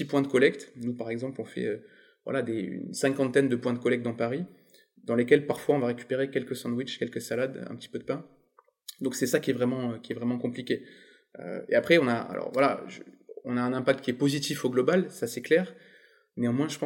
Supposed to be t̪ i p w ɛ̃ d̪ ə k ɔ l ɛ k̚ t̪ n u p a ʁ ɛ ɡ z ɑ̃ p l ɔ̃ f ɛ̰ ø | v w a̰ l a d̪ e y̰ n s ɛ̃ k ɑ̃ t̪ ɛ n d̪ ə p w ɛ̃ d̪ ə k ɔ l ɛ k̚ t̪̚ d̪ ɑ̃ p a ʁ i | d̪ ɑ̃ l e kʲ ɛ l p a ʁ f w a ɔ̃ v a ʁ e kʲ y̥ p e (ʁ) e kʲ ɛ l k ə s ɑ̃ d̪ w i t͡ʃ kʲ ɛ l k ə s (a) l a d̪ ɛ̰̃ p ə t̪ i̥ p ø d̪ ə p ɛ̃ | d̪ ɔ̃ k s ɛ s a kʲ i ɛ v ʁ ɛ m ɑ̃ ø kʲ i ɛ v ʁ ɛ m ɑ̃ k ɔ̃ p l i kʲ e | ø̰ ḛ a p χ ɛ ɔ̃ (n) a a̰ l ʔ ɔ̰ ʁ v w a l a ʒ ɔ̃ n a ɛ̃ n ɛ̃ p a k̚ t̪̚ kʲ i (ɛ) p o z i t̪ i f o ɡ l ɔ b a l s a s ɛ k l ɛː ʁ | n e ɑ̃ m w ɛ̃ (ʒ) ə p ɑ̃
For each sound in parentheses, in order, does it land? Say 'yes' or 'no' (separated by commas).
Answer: yes, yes, yes, yes, yes